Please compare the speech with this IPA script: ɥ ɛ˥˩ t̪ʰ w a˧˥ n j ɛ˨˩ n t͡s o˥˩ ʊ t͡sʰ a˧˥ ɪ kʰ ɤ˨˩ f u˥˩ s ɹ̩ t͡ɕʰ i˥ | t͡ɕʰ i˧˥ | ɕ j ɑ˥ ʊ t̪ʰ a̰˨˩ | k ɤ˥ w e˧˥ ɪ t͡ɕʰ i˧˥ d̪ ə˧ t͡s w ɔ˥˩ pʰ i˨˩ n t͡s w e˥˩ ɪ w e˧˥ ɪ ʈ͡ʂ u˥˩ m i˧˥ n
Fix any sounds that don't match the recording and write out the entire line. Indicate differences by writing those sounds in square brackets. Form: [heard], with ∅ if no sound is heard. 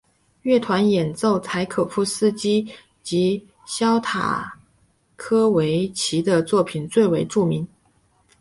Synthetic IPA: ɥ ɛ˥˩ t̪ʰ w a˧˥ n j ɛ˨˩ n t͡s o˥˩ ʊ t͡sʰ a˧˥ ɪ kʰ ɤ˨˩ f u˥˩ s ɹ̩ [t͡ɕ] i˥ | [t͡ɕ] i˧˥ | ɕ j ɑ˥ ʊ t̪ʰ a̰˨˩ | [kʰ] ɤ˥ w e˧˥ ɪ t͡ɕʰ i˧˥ d̪ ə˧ t͡s w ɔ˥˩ pʰ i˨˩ n t͡s w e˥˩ ɪ w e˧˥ ɪ ʈ͡ʂ u˥˩ m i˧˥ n